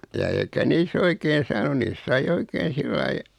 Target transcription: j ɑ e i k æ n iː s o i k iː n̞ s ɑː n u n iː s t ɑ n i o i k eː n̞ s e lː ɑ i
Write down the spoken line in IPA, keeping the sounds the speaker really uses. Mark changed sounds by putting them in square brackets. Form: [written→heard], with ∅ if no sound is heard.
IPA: j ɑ e i k æ n iː s o i k [iː→eː] n̞ s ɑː n u n iː s [t→s] ɑ [n→∅] i o i k eː n̞ s [e→i] lː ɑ i